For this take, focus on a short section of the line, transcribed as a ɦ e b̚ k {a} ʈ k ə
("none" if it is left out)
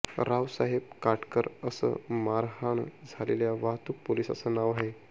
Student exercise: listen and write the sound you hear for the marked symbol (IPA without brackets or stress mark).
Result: a